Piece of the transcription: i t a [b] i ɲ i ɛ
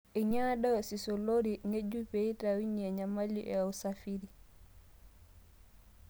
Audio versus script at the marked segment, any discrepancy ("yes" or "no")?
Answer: yes